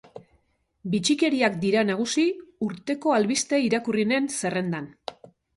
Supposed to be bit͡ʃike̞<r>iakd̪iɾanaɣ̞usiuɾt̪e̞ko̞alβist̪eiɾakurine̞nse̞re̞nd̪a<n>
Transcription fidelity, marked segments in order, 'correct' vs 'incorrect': incorrect: ɾ, correct

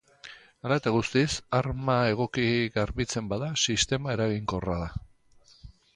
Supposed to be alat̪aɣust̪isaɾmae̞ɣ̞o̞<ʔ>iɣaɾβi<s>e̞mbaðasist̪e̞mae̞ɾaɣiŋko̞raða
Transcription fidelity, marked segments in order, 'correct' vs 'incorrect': incorrect: k, incorrect: t͡s

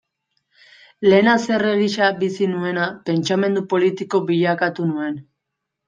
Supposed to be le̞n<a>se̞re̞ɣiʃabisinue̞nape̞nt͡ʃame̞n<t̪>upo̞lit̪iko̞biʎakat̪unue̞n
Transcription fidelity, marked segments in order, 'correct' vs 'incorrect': correct, incorrect: d̪

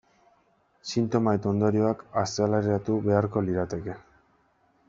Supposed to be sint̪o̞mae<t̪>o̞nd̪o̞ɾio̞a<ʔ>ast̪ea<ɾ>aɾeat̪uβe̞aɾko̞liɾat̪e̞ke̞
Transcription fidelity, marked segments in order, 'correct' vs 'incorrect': correct, incorrect: k, incorrect: l

